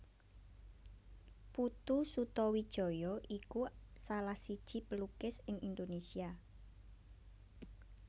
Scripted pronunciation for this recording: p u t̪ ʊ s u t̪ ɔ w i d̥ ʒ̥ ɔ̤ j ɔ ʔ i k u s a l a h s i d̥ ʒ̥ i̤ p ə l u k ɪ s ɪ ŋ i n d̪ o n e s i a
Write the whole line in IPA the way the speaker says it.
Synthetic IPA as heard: p u t̪ u s u t̪ ɔ w i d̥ ʒ̥ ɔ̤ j ɔ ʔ i k u s a l a h s i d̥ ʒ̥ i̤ p ə l u k ɪ s ɪ ŋ i n d̪ o n e s i a